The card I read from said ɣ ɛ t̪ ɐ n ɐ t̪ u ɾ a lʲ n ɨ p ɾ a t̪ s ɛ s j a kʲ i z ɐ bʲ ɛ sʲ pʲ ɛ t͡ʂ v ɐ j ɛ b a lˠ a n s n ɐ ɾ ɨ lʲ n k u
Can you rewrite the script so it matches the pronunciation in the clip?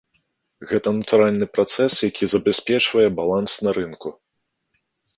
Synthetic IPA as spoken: ɣ ɛ t̪ ɐ n ɐ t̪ u ɾ a lʲ n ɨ p ɾ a t̪ s ɛ s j a kʲ i z ɐ bʲ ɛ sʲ pʲ ɛ t͡ʂ v ɐ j ɛ b a lˠ a n s n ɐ ɾ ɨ n k u